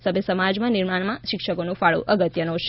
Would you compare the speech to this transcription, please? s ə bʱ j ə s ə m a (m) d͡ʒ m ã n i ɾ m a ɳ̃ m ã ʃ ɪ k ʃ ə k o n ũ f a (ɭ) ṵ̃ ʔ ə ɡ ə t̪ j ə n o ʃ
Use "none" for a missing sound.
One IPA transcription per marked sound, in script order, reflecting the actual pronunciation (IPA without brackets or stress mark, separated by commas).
none, ɭ